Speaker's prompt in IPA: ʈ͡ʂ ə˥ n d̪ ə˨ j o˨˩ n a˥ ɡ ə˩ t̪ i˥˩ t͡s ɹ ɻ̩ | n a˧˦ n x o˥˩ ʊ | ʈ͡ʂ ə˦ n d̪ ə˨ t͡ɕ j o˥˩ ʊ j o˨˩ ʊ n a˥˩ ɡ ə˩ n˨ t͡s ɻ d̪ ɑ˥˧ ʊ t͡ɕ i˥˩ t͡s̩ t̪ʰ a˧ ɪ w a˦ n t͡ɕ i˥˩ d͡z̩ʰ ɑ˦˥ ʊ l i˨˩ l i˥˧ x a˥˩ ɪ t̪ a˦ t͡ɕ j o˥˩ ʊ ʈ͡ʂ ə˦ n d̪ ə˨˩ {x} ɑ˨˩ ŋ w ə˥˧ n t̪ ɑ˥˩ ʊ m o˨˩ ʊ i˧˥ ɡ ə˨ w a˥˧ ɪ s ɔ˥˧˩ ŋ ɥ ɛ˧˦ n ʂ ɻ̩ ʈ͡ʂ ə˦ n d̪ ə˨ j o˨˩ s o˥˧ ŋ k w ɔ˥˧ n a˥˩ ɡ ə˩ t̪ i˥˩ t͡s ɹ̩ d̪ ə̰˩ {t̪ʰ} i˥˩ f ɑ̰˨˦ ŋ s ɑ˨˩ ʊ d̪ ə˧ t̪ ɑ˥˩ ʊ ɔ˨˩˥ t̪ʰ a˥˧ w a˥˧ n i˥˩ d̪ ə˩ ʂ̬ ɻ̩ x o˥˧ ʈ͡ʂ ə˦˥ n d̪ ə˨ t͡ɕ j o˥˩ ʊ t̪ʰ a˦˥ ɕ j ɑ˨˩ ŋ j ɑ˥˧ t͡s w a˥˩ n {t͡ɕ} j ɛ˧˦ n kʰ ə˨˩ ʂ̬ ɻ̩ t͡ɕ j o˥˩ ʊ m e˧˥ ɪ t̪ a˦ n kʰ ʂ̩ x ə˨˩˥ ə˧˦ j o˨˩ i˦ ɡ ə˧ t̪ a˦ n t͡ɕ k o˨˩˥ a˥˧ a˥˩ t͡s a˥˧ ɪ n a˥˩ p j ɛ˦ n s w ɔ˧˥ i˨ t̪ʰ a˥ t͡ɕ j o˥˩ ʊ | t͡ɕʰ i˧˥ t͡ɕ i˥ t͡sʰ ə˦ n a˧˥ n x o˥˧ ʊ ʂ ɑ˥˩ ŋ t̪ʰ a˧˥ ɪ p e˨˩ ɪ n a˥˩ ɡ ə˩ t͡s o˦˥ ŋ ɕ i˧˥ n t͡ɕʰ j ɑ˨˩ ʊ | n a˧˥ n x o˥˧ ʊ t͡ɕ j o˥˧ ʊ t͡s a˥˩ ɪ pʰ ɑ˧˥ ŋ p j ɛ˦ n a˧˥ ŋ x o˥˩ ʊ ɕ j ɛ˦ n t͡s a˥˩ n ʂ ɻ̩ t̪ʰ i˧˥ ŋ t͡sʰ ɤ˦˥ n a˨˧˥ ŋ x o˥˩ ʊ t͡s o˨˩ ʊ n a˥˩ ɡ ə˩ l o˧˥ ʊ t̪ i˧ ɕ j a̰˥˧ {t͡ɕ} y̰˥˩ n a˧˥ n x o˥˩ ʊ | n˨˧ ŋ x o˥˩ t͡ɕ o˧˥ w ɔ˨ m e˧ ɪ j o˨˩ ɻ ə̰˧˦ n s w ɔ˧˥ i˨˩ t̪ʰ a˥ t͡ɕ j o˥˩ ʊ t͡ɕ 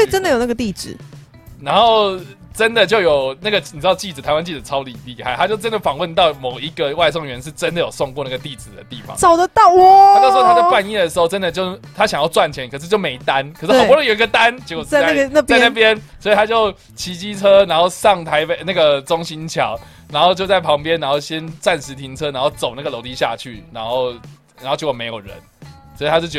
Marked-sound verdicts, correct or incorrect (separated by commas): incorrect, incorrect, incorrect, incorrect